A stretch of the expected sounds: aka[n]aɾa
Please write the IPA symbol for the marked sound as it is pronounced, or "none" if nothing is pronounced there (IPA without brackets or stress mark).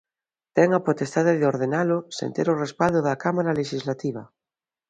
m